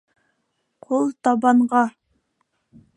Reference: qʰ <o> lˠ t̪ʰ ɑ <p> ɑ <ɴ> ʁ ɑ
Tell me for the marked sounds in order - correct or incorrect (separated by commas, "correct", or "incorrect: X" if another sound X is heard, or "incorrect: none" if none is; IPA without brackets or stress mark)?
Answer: correct, incorrect: b, correct